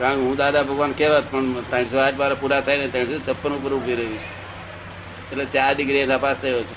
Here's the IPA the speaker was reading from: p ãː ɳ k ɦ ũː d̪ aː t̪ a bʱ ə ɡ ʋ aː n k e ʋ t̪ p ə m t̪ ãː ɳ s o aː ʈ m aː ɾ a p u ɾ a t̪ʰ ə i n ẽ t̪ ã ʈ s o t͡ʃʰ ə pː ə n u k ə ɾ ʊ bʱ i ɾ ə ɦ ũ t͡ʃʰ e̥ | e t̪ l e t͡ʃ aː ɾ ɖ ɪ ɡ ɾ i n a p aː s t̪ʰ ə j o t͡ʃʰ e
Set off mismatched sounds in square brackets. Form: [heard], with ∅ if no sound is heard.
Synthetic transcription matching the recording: [k] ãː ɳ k ɦ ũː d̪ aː [d̪] a bʱ ə ɡ ʋ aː n k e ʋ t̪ p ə [ɳ] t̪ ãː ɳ s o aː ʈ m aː ɾ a p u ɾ a t̪ʰ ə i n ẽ t̪ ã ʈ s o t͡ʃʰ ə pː ə n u [p] ə ɾ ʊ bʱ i ɾ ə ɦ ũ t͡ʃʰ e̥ | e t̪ l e t͡ʃ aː ɾ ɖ ɪ ɡ ɾ i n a p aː s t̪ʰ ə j o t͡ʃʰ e